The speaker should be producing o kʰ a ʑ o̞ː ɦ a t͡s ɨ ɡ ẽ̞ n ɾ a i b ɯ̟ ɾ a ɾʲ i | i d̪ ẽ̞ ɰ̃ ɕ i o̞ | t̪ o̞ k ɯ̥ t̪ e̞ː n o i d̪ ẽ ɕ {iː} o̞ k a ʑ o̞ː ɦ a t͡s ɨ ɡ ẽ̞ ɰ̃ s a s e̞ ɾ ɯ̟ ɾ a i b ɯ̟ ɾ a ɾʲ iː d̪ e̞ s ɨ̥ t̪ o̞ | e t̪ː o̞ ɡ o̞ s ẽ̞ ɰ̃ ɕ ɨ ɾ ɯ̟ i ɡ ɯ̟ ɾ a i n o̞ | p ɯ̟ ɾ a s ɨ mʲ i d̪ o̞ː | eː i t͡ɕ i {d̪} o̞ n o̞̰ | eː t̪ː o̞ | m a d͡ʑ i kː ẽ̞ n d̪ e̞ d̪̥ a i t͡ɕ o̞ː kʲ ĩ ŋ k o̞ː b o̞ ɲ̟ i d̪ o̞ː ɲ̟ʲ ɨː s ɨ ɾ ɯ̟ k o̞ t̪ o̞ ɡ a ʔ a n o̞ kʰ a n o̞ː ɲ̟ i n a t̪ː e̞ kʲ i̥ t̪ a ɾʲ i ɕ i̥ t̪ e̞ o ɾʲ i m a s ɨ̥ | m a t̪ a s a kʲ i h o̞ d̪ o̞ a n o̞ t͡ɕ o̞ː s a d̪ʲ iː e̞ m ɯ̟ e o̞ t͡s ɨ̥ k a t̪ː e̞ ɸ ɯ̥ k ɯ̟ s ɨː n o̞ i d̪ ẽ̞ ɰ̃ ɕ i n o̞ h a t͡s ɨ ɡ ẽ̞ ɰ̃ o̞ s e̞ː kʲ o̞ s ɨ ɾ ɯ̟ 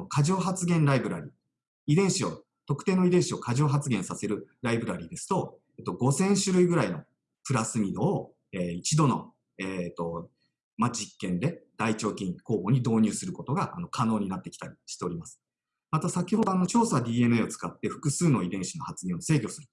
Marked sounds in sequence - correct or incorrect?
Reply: incorrect, correct

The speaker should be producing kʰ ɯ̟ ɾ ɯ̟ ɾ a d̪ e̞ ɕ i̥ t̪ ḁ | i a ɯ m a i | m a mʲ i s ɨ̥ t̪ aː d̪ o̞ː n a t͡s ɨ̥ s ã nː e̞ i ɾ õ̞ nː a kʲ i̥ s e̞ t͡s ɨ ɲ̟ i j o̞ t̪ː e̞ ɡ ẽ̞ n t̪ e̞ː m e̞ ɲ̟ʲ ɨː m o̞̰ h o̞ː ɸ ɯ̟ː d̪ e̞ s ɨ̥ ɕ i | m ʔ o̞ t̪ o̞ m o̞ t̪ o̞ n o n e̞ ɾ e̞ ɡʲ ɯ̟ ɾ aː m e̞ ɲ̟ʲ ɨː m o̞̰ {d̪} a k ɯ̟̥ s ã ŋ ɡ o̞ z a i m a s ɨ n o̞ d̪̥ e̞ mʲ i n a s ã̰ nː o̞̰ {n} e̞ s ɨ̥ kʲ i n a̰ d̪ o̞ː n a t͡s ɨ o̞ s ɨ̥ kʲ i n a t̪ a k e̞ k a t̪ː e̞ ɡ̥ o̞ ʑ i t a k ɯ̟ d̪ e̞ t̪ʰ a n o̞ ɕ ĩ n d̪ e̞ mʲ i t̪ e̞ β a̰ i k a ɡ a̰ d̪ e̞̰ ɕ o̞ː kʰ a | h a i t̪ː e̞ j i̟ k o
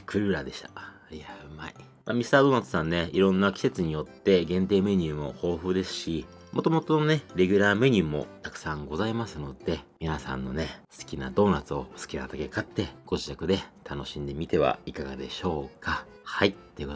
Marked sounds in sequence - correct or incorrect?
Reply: incorrect, correct

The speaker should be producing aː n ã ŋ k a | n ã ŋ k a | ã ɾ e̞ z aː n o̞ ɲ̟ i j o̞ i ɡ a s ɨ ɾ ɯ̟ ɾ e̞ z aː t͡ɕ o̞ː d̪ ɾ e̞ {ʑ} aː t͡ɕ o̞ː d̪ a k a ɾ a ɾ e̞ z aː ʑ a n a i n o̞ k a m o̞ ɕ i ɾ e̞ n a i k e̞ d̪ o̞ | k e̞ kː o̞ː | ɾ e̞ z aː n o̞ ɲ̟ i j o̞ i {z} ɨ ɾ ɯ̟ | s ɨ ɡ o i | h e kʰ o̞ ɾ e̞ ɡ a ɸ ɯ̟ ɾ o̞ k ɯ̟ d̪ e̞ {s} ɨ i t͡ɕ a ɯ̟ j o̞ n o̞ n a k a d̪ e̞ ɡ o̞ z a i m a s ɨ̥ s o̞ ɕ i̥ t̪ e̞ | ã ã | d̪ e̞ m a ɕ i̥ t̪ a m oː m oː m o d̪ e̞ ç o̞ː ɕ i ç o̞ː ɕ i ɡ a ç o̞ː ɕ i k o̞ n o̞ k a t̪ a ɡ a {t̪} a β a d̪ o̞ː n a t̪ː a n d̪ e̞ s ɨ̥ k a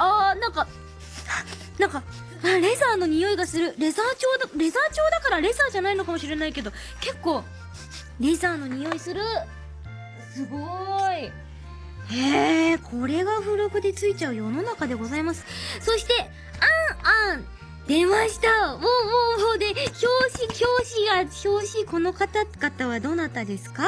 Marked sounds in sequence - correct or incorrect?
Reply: incorrect, incorrect, incorrect, correct

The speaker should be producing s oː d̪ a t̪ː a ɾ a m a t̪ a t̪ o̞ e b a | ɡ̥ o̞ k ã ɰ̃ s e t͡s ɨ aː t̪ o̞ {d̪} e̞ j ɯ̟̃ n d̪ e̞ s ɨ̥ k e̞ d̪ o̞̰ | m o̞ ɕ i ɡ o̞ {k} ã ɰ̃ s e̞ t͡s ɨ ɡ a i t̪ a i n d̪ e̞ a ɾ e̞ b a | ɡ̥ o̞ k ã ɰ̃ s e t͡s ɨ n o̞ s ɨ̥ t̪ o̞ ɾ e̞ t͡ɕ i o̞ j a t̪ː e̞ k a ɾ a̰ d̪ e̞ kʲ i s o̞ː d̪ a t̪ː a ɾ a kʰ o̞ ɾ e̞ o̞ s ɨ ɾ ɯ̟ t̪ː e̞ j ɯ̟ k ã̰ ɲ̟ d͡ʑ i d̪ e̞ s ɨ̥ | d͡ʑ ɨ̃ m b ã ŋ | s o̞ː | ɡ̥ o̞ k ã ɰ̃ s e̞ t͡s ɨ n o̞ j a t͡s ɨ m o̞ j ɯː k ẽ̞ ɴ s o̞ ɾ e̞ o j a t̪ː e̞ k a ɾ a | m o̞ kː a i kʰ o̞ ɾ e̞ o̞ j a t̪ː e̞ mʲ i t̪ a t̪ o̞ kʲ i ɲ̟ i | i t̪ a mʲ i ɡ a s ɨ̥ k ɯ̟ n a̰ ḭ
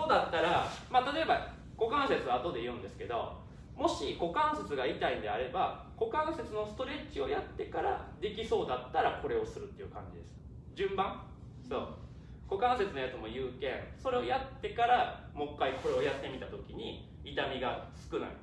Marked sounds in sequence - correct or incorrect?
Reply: correct, correct

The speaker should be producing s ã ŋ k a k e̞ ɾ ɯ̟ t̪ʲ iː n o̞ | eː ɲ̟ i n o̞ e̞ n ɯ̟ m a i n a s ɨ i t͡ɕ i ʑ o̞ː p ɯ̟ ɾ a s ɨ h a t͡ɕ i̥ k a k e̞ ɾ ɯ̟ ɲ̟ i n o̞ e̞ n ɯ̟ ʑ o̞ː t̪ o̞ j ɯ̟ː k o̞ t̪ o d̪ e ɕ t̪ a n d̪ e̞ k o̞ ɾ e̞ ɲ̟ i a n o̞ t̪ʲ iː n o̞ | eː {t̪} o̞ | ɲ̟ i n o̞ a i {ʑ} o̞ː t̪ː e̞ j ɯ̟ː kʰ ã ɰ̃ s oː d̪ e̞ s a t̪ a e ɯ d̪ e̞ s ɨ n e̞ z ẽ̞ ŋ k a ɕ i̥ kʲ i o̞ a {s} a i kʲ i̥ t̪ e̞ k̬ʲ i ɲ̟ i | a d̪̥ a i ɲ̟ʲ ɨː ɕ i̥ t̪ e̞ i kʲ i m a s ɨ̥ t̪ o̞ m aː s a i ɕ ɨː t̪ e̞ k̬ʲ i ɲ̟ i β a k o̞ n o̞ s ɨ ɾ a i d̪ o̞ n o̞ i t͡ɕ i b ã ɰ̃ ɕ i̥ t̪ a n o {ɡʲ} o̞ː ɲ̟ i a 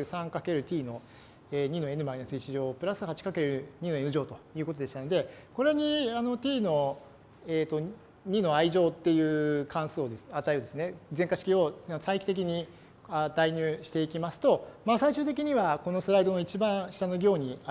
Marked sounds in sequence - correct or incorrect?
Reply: correct, correct, correct, correct

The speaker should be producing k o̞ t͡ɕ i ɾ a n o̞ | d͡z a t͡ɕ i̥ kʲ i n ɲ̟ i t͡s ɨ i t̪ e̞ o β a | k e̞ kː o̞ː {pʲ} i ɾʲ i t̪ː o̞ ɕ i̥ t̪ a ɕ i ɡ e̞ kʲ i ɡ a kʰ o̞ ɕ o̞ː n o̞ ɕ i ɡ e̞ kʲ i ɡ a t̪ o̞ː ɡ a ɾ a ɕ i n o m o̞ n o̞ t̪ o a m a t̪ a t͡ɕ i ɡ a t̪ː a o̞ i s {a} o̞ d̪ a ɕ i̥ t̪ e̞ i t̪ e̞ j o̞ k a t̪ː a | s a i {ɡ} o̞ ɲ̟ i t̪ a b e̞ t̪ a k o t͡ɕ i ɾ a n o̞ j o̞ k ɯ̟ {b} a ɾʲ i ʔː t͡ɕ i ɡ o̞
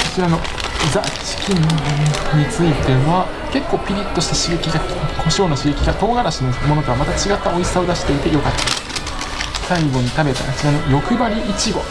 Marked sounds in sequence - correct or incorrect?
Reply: correct, correct, correct, correct

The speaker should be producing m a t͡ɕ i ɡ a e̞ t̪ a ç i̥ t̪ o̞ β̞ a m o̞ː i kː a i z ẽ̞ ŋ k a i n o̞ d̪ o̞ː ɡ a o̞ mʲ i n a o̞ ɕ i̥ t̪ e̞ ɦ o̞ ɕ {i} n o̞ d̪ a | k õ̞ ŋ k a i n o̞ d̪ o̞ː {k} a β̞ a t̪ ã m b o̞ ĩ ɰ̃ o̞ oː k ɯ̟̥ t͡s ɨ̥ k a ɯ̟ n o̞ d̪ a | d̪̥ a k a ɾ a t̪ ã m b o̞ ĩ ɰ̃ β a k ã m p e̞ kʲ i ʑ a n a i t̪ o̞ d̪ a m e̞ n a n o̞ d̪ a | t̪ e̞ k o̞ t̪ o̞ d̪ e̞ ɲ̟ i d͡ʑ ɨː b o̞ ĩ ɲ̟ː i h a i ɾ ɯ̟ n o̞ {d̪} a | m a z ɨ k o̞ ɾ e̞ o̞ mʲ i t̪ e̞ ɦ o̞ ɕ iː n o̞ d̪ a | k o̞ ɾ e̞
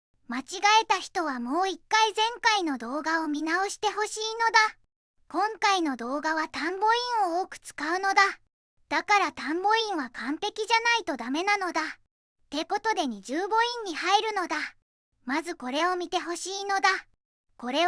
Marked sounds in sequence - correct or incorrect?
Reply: incorrect, incorrect, correct

